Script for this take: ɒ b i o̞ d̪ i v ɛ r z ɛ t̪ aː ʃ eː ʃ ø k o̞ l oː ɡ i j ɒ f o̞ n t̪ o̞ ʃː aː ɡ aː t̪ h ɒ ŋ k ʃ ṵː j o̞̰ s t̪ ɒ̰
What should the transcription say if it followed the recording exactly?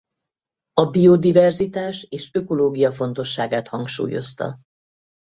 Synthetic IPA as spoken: ɒ b i o̞ d̪ i v ɛ r z i t̪ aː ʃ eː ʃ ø k o̞ l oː ɡ i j ɒ f o̞ n t̪ o̞ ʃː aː ɡ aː t̪ h ɒ ŋ k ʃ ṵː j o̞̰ s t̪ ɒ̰